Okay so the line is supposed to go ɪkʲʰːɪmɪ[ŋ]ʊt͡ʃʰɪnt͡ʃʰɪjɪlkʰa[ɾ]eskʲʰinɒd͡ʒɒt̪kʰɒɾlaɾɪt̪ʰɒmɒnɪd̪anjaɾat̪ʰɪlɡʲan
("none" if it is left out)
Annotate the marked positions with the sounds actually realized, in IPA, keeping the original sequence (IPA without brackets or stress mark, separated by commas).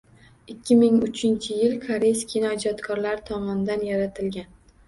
ŋ, ɾ